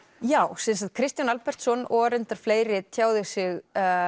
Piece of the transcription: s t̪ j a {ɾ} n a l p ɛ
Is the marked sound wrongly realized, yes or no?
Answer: yes